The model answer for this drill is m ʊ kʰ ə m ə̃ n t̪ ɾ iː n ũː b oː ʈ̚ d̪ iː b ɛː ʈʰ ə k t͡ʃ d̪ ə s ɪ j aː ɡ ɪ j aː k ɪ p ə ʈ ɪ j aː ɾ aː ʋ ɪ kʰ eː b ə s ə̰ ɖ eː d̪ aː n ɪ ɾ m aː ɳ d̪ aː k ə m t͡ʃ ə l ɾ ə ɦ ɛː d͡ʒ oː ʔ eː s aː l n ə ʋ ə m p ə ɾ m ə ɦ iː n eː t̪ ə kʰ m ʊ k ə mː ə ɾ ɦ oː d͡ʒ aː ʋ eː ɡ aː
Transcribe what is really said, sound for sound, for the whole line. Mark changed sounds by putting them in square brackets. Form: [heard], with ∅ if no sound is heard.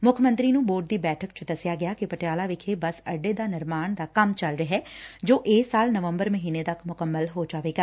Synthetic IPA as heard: m ʊ kʰ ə m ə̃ n t̪ ɾ iː n ũː b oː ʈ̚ d̪ iː b ɛː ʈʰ ə k t͡ʃ d̪ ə s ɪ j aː ɡ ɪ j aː k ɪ p ə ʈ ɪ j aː [l] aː ʋ ɪ kʰ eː b ə s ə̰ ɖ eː d̪ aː n ɪ ɾ m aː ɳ d̪ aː k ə m t͡ʃ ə l ɾ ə ɦ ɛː d͡ʒ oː ʔ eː s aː l n ə ʋ ə m [b] ə ɾ m ə ɦ iː n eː t̪ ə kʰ m ʊ k ə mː ə [l] ɦ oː d͡ʒ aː ʋ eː ɡ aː